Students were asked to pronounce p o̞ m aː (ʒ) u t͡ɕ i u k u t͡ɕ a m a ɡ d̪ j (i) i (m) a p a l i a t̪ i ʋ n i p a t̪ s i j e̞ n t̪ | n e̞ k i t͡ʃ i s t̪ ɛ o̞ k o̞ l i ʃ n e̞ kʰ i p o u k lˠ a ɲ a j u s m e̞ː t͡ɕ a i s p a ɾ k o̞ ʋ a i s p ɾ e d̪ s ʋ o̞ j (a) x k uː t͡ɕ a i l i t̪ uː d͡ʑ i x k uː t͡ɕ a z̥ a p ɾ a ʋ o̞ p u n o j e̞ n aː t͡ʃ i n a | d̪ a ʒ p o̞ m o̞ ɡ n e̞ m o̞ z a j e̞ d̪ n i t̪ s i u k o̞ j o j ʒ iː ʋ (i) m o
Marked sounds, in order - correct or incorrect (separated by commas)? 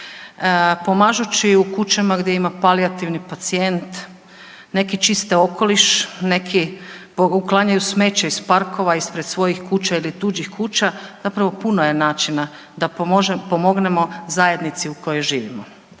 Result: correct, incorrect, correct, incorrect, correct